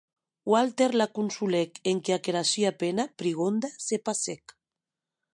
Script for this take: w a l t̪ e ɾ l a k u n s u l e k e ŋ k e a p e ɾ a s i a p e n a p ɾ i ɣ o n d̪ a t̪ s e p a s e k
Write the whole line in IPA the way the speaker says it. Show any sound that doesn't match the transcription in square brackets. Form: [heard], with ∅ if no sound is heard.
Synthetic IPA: w a l t̪ e ɾ l a k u n s u l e k e ŋ k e a [k] e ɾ a s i a p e n a p ɾ i ɣ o n d̪ a [∅] s e p a s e k